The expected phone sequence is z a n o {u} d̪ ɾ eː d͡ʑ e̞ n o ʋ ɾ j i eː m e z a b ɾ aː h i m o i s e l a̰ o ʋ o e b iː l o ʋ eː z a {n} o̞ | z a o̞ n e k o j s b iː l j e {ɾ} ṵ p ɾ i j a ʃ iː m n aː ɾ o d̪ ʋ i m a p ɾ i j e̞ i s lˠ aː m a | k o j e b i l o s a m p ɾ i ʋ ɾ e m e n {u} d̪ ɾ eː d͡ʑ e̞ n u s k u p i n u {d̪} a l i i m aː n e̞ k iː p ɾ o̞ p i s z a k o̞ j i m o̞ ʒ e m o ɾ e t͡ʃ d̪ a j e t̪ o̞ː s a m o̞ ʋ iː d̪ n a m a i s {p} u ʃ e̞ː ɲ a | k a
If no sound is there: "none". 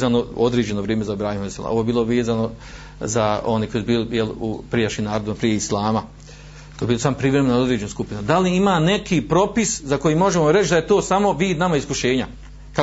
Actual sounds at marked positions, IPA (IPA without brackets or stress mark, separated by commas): o, n, l, o, d̪, k